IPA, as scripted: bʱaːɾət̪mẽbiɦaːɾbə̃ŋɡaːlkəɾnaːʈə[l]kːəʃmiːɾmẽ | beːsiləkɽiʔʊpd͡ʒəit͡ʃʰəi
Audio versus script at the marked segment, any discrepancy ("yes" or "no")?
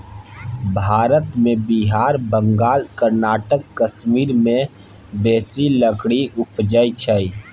yes